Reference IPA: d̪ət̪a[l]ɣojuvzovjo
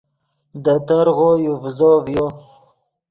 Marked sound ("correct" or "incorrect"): incorrect